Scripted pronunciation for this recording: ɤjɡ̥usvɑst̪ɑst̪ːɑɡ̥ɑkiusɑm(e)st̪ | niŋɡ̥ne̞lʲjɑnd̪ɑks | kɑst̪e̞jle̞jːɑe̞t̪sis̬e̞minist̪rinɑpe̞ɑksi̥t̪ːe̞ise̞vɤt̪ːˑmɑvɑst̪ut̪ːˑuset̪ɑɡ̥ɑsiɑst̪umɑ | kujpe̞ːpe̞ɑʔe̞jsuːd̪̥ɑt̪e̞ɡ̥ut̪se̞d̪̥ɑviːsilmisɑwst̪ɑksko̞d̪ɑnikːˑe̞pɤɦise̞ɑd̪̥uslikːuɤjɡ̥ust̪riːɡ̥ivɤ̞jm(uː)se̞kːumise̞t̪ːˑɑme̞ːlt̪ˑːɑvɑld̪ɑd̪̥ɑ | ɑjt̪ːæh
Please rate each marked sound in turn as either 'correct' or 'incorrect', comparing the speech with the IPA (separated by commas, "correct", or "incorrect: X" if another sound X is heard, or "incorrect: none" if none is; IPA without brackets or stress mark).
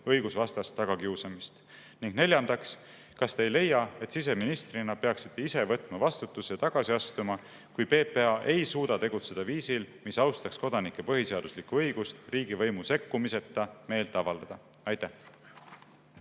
incorrect: i, incorrect: u